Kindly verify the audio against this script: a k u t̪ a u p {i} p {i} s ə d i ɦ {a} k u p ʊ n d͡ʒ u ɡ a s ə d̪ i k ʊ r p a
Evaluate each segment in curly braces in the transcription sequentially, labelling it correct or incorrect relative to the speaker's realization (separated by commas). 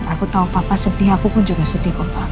incorrect, incorrect, correct